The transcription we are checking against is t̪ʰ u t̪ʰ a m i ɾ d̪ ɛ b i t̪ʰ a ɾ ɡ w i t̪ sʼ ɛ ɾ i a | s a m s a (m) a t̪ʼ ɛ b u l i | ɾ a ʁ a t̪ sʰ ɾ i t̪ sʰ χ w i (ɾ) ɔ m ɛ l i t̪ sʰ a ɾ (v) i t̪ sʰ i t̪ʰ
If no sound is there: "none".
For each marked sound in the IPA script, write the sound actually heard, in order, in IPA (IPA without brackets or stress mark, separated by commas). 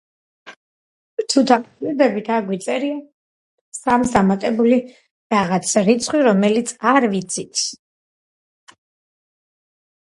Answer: m, ɾ, v